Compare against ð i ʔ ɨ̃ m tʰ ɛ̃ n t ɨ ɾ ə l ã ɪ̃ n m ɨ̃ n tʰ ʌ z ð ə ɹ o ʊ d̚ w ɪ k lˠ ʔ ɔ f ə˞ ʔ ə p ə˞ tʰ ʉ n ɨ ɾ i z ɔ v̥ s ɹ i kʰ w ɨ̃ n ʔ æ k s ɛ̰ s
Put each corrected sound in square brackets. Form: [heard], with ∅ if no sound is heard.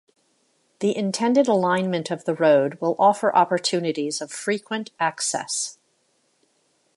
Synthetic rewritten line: ð i ʔ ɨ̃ [n] tʰ ɛ̃ n [d] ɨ ɾ ə l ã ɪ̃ n m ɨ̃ n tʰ ʌ [v] ð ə ɹ o ʊ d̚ w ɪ [∅] lˠ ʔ ɔ f ə˞ ʔ [ɑ] p ə˞ tʰ ʉ n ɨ ɾ i z [ʌ] v̥ [f] ɹ i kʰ w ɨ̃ n [t] æ k s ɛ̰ s